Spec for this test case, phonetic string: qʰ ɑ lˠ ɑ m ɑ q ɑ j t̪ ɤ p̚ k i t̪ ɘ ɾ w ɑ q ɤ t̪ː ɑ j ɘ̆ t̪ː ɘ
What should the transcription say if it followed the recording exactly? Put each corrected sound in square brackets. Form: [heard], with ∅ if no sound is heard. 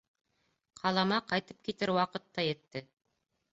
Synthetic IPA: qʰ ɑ lˠ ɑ m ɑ q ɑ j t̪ ɤ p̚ k i t̪ ɘ ɾ w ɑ q ɤ t̪ː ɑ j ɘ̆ t̪ː ɘ

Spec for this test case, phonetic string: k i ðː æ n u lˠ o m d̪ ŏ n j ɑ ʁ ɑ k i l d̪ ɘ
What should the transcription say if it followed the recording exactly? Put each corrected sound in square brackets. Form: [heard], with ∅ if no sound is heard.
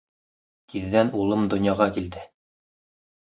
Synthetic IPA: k i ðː æ n u lˠ [ɤ] m d̪ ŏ n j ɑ ʁ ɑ k i l d̪ ɘ

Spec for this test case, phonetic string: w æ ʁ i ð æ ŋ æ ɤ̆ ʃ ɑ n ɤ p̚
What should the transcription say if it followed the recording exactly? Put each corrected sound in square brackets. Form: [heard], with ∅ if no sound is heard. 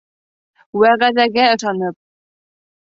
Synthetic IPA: w æ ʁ [æ] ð æ [ɡ] æ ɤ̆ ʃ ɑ n ɤ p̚

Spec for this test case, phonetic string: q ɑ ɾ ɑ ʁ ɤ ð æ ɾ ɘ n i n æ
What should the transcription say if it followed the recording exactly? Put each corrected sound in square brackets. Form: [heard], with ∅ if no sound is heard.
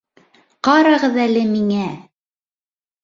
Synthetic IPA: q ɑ ɾ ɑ ʁ ɤ ð æ [l] ɘ [m] i [ŋ] æ

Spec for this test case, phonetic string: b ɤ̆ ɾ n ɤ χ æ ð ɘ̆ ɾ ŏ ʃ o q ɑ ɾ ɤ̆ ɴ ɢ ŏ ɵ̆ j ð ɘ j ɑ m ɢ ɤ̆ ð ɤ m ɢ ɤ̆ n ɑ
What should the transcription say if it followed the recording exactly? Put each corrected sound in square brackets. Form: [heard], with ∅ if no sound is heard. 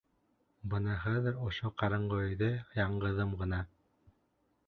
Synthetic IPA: b ɤ̆ [∅] n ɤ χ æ ð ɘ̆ ɾ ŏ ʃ o q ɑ ɾ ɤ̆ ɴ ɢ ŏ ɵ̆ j ð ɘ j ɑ [ɴ] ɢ ɤ̆ ð ɤ m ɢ ɤ̆ n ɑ

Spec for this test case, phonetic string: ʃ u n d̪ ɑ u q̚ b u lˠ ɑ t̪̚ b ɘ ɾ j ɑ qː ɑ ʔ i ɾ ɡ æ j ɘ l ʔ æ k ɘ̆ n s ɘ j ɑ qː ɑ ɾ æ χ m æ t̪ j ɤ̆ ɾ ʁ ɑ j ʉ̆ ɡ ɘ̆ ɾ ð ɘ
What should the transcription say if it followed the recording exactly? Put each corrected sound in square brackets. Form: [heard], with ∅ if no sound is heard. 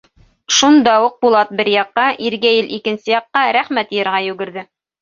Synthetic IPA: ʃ u n d̪ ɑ u q̚ b u lˠ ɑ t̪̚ b ɘ ɾ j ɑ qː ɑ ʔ i ɾ ɡ æ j ɘ l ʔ [i] k ɘ̆ n s ɘ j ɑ qː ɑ ɾ æ χ m æ t̪ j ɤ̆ ɾ ʁ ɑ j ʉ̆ ɡ ɘ̆ ɾ ð ɘ

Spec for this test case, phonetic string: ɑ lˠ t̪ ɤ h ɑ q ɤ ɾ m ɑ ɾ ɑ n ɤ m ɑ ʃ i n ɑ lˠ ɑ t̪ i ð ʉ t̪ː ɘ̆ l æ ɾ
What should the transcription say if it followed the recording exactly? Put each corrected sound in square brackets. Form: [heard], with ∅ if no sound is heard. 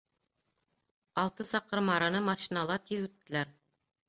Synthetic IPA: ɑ lˠ t̪ ɤ [s] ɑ q ɤ ɾ m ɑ ɾ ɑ n ɤ m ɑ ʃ i n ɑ lˠ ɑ t̪ i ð ʉ t̪ː ɘ̆ l æ ɾ

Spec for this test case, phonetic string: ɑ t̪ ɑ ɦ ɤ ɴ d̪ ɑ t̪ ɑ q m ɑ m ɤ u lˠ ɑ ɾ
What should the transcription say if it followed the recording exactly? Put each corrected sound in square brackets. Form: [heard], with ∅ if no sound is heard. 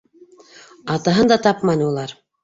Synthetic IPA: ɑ t̪ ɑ ɦ ɤ [n] d̪ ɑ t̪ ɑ [p] m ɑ [n] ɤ u lˠ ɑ ɾ

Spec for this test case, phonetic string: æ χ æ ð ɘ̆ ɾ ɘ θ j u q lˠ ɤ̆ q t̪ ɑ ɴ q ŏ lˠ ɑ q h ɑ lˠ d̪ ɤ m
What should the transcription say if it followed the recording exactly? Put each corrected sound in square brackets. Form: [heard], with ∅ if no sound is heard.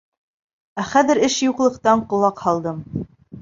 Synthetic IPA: æ χ æ ð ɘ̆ ɾ ɘ [ʃ] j u q lˠ ɤ̆ q t̪ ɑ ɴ q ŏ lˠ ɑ q h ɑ lˠ d̪ ɤ m

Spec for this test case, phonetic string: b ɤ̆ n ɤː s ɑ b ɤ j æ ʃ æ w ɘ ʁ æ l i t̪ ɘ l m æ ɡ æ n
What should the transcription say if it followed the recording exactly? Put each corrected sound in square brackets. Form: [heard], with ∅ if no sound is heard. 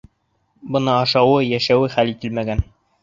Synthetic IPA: b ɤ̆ n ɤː [ʃ] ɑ [w] ɤ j æ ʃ æ w ɘ [χ] æ l i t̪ ɘ l m æ ɡ æ n

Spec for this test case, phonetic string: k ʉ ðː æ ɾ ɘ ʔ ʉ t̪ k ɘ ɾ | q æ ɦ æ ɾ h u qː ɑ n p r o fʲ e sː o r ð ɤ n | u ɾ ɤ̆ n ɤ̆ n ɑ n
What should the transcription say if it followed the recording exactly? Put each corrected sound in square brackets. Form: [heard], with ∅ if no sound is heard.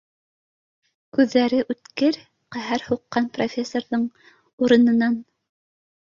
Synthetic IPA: k ʉ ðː æ ɾ ɘ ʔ ʉ t̪ k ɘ ɾ | q æ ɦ æ ɾ h u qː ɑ n p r o fʲ e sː o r ð ɤ [ɴ] | u ɾ ɤ̆ n ɤ̆ n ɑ n

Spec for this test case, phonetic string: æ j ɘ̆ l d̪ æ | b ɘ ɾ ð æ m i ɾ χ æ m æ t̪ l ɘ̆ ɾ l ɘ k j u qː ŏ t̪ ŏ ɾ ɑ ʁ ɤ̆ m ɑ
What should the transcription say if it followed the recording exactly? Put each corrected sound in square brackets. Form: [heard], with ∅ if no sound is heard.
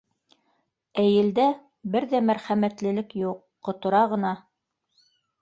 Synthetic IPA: æ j ɘ̆ l d̪ æ | b ɘ ɾ ð æ m [æ] ɾ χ æ m æ t̪ l ɘ̆ [∅] l ɘ k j u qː ŏ t̪ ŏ ɾ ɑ ʁ ɤ̆ [n] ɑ

